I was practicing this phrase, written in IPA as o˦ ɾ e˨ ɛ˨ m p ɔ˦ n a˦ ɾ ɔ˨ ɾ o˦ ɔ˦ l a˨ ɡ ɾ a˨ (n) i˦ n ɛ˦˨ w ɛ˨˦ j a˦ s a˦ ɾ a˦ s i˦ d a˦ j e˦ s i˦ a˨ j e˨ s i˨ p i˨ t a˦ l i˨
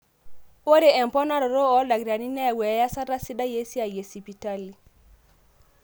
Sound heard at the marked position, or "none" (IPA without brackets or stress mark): n